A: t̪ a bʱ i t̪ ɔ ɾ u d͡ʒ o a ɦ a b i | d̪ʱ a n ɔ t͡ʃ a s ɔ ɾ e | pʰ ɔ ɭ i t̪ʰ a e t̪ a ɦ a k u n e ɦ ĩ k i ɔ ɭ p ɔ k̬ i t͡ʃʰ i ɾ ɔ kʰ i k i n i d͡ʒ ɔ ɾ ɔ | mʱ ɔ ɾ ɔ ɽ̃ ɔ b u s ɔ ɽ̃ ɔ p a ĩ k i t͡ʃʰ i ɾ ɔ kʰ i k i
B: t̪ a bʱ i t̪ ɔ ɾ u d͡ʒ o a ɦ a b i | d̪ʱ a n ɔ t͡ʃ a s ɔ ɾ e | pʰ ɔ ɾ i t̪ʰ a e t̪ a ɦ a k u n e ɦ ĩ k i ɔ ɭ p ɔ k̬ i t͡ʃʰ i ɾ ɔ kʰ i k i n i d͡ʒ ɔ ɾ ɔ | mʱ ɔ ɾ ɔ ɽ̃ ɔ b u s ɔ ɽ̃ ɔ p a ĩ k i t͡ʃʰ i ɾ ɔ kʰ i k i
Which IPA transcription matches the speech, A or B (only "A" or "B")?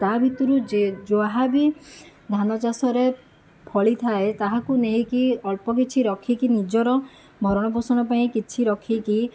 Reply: A